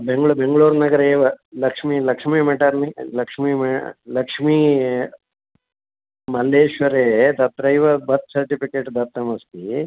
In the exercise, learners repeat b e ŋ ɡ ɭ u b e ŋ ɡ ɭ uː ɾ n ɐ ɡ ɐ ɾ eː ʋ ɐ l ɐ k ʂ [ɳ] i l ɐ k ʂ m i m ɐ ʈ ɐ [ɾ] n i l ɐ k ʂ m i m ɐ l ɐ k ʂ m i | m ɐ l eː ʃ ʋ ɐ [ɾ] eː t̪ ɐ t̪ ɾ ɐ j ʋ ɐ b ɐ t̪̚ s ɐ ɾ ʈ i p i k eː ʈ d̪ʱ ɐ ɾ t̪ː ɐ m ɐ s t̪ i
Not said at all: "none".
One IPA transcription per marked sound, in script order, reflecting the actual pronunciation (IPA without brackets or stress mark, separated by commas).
m, ɾ, ɾ